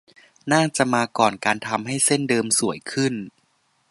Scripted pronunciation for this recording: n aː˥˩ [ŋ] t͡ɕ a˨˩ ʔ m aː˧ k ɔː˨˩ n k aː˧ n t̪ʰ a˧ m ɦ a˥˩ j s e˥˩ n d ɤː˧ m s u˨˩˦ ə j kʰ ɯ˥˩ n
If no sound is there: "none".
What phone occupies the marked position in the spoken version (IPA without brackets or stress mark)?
ŋ